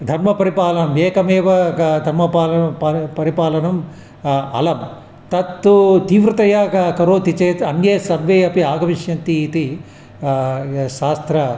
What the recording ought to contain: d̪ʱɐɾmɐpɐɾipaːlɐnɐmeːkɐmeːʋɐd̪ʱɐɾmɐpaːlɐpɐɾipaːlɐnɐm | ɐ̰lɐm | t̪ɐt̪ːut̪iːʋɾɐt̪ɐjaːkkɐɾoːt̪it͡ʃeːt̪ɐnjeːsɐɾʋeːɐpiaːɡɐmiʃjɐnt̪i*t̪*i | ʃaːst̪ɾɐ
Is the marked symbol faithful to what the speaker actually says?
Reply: yes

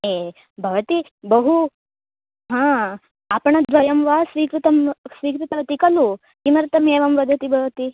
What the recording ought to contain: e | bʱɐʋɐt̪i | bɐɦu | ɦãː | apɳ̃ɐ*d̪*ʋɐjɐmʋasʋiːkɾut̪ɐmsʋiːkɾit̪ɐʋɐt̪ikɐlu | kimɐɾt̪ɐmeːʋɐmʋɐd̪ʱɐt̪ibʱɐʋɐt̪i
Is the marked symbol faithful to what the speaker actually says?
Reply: yes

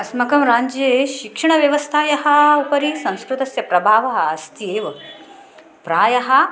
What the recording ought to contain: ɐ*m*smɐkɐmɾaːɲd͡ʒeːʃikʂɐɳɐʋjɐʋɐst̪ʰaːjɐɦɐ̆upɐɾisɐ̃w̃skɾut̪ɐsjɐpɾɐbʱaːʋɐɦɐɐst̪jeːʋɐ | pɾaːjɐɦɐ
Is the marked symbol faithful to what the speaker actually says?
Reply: no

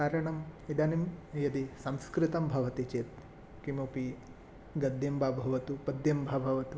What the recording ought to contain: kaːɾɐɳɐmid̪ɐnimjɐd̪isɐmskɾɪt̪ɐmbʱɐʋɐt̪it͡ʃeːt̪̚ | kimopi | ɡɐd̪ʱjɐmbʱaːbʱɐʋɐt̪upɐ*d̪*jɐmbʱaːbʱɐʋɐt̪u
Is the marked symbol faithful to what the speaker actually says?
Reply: yes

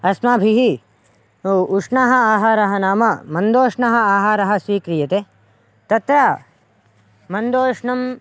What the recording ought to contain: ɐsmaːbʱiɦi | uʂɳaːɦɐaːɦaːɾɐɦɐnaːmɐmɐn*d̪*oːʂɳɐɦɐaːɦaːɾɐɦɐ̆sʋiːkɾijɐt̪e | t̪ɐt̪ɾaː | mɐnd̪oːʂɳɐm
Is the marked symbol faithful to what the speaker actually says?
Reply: yes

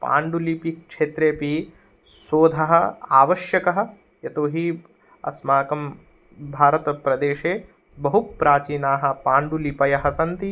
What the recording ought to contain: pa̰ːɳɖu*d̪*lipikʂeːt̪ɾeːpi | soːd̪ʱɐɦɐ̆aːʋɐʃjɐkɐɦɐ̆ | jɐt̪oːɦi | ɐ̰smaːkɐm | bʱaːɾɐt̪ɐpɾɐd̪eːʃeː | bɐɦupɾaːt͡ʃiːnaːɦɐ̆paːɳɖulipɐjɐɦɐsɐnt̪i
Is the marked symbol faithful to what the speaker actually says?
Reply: no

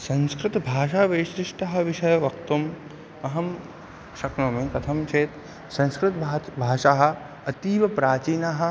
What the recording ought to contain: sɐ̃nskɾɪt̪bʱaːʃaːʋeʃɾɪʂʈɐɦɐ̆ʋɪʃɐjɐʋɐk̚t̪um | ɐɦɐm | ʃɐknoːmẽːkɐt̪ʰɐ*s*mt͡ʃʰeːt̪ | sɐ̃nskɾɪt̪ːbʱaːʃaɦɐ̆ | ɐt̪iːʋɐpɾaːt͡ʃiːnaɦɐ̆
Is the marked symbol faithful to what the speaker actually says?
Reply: no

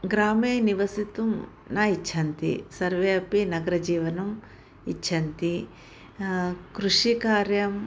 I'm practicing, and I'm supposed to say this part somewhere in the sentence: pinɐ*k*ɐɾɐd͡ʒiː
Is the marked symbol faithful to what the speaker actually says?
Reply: no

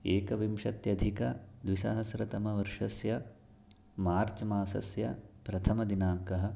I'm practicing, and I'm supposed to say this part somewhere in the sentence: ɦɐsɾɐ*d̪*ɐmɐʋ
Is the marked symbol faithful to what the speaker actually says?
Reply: no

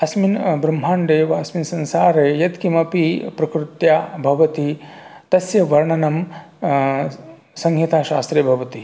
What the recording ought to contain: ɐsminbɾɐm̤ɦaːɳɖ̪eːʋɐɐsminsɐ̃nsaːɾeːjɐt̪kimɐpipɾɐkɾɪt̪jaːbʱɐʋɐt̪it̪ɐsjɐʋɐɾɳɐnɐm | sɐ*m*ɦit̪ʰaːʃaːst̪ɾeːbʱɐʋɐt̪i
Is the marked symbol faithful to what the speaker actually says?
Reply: no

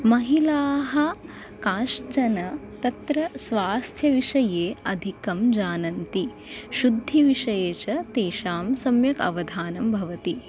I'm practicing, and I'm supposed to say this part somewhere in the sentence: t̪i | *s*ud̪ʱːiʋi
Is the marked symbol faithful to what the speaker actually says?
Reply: no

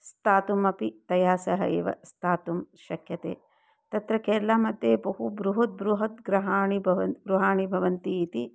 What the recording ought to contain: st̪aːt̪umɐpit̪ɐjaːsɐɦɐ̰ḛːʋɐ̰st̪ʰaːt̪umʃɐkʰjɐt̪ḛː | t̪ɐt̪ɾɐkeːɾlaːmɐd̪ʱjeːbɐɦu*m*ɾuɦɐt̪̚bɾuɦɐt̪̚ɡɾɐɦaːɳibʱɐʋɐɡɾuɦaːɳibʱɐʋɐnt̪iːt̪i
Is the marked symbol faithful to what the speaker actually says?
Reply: no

